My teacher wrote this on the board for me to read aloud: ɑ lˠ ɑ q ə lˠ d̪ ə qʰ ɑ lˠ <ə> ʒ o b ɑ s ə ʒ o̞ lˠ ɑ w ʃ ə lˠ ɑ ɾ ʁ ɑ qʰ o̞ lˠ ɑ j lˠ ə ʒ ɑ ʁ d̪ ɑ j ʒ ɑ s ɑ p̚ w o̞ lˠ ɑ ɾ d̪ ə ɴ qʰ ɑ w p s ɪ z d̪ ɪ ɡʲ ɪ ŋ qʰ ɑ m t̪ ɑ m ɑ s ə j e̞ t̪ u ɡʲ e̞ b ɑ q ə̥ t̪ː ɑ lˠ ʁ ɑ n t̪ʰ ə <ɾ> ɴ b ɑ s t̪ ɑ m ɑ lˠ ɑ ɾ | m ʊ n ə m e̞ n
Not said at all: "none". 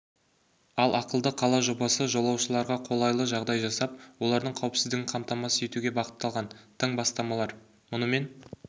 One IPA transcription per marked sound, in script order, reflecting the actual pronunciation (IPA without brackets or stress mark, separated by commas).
ɑ, none